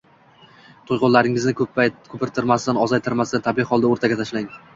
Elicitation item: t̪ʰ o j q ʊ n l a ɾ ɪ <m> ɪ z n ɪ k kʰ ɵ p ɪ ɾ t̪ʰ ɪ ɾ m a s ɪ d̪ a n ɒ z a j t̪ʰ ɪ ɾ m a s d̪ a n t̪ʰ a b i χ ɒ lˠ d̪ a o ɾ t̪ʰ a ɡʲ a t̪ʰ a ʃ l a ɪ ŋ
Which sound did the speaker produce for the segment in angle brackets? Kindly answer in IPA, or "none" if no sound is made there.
ŋ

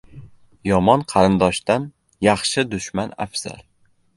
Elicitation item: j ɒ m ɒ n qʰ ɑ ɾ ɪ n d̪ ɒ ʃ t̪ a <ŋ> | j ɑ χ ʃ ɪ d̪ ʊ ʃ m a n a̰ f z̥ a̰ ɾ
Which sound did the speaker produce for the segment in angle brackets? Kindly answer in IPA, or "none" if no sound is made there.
n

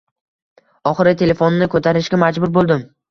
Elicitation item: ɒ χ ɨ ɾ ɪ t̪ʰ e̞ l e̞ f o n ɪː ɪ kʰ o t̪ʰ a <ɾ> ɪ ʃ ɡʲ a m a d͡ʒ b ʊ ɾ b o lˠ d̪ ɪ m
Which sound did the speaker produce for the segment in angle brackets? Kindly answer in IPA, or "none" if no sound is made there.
ɾ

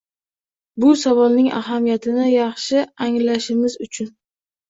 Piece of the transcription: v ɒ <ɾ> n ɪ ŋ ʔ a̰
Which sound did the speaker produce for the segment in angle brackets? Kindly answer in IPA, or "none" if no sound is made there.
l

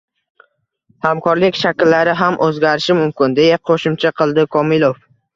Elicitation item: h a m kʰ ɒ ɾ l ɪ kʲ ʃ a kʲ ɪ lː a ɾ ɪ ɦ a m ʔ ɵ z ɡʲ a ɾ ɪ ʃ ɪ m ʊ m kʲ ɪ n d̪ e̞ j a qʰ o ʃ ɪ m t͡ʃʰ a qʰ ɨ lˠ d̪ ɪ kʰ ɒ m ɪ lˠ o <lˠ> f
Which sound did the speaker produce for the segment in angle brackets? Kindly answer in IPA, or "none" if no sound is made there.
none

